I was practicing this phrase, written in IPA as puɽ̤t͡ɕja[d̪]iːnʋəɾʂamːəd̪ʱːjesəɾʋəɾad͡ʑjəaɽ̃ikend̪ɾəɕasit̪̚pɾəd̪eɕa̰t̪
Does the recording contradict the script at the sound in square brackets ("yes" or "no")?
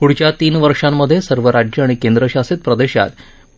yes